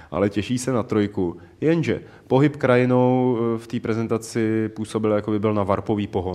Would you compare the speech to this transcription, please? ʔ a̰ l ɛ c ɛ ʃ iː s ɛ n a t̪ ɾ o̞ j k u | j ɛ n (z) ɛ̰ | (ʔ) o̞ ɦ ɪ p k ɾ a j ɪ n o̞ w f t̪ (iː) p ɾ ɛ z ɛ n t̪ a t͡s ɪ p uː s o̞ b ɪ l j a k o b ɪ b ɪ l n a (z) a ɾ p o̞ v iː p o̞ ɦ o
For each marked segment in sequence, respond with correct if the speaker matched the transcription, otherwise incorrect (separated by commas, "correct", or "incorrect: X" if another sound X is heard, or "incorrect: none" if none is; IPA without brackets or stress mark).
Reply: incorrect: ʒ, incorrect: p, correct, incorrect: v